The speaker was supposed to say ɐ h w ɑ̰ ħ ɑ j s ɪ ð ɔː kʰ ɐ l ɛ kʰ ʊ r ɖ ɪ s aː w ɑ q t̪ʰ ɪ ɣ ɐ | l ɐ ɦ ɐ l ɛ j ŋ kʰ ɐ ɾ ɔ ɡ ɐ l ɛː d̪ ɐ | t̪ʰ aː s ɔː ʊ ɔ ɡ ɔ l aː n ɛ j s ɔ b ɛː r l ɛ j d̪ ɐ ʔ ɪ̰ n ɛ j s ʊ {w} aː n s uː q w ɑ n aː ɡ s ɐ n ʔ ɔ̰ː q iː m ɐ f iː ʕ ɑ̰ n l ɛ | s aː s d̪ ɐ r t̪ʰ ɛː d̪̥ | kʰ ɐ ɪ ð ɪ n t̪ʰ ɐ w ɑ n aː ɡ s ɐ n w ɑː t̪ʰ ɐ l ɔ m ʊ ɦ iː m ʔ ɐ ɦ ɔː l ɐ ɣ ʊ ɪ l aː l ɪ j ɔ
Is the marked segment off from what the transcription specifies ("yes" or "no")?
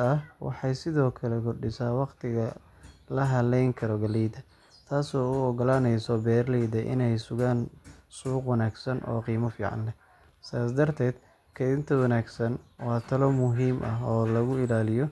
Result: yes